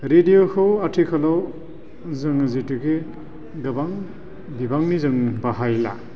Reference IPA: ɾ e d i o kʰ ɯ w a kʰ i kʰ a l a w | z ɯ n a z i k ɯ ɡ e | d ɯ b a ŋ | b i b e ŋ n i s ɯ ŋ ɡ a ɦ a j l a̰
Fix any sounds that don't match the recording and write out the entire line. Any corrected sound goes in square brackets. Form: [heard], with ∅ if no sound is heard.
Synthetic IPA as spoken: ɾ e d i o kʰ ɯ w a [tʰ] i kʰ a l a w | z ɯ [ŋ] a z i [t] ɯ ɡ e | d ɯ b a ŋ | b i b [a] ŋ n i [z] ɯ ŋ [b] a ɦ a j l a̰